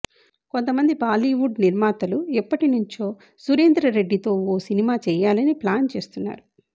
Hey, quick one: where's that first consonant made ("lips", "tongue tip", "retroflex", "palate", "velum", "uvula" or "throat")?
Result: velum